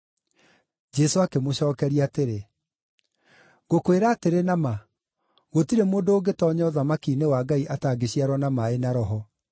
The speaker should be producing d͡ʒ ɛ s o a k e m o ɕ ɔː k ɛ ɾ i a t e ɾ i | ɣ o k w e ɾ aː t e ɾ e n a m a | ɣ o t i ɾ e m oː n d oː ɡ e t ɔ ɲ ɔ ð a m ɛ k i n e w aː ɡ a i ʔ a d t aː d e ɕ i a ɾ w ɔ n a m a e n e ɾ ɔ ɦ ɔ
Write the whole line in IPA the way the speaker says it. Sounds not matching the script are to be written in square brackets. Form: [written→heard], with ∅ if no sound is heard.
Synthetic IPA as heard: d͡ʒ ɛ s o a k e m o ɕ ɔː k ɛ ɾ i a t e ɾ [i→e] | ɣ o k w e ɾ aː t e ɾ e n a m a | ɣ o t i ɾ e m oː n d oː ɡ e t ɔ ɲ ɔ ð a m [ɛ→a] k i n e w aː ɡ a i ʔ a [d→∅] t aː [d→ɡ] e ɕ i a ɾ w ɔ n a m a e n [e→a] ɾ ɔ ɦ ɔ